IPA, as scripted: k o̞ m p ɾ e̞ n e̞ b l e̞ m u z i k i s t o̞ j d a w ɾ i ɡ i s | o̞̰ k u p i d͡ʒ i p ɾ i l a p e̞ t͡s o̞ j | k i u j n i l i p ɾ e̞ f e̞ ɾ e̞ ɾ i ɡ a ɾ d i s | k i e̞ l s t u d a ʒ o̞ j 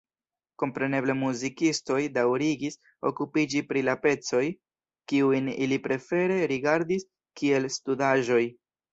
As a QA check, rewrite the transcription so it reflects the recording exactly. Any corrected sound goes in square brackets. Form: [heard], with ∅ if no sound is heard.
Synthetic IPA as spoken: k o̞ m p ɾ e̞ n e̞ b l e̞ m u z i k i s t o̞ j d a w ɾ i ɡ i s | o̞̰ k u p i d͡ʒ i p ɾ i l a p e̞ t͡s o̞ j | k i u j n i l i p ɾ e̞ f e̞ ɾ e̞ ɾ i ɡ a ɾ d i s | k i e̞ l s t u d a ʒ o̞ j

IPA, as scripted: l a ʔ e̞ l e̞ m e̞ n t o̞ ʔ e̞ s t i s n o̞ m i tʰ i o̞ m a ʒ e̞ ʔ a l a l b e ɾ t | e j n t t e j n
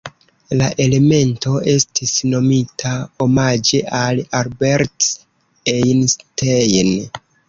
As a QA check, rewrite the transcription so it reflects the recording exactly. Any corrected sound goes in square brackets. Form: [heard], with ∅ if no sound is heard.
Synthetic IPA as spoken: l a ʔ e̞ l e̞ m e̞ n t o̞ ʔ e̞ s t i s n o̞ m i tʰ [a] o̞ m a [d͡ʒ] e̞ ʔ a l a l b e ɾ t | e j n [s] t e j n

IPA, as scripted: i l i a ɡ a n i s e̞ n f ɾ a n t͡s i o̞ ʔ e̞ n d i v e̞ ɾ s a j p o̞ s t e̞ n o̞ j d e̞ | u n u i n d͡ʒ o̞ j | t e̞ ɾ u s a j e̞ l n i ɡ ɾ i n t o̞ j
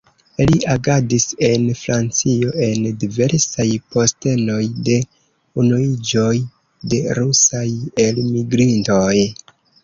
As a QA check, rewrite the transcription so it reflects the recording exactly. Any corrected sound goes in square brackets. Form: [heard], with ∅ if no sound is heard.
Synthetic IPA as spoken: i l i a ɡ a [d] i s e̞ n f ɾ a n t͡s i o̞ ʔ e̞ n d i v e̞ ɾ s a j p o̞ s t e̞ n o̞ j d e̞ | u n u i [∅] d͡ʒ o̞ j | [d] e̞ ɾ u s a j e̞ l [m] i ɡ ɾ i n t o̞ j

